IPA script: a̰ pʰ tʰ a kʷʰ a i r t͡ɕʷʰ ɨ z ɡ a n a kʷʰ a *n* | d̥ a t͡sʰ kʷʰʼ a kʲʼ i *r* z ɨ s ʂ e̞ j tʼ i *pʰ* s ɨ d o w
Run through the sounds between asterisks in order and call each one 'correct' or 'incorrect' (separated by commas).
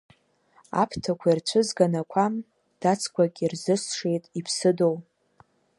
incorrect, correct, correct